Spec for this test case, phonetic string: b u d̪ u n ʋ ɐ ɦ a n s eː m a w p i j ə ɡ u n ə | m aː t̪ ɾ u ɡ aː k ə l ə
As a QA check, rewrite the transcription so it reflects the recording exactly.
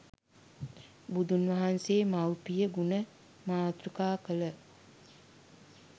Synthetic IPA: b u d̪ u n ʋ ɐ ɦ a n s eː m a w p i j ə ɡ u n ə | m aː t̪ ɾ u k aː k ə l ə

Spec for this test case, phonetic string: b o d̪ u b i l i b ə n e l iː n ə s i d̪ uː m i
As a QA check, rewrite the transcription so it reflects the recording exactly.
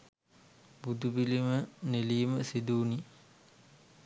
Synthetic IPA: b u d̪ u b i l i m ə n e l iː m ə s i d̪ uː n i

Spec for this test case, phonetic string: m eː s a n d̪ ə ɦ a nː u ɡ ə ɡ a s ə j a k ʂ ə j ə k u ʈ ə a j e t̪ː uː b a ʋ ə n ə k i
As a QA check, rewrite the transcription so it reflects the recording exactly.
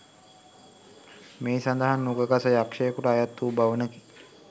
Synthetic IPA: m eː s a n d̪ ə ɦ a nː u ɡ ə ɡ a s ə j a k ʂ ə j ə k u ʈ ə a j a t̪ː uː b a ʋ ə n ə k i

